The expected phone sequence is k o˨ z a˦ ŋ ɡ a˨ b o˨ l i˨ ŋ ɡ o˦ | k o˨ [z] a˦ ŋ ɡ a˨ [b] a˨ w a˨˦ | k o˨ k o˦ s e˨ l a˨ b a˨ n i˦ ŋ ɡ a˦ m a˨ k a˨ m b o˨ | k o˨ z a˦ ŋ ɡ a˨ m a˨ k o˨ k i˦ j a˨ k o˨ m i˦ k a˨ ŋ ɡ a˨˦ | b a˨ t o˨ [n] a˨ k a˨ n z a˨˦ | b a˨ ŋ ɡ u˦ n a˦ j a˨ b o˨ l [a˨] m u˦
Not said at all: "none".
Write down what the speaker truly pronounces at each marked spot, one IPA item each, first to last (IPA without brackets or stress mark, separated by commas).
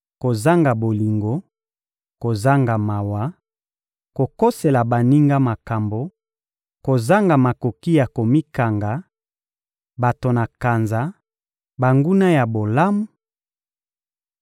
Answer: z, m, n, a˦